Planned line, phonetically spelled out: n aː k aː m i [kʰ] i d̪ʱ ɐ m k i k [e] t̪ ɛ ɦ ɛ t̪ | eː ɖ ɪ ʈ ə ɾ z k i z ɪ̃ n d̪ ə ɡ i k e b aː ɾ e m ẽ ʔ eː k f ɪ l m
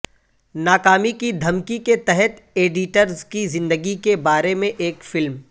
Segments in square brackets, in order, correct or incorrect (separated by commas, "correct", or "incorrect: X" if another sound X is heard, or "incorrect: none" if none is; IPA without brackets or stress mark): incorrect: k, correct